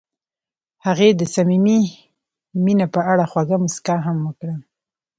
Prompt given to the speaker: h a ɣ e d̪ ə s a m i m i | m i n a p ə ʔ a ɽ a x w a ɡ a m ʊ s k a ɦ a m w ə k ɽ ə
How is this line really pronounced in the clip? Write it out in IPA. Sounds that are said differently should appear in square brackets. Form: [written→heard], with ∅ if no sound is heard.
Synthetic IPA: h a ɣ e d̪ ə s a m i m i | m i n a p ə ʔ a ɽ a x w a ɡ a m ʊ s k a ɦ a m w ə k ɽ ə